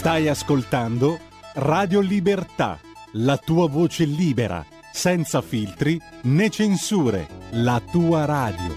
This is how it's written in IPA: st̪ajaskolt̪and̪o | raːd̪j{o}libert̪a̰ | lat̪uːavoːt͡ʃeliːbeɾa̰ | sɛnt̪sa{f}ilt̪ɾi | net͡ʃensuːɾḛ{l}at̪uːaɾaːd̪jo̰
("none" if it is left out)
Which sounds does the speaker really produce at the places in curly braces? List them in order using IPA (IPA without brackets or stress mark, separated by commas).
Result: o, f, l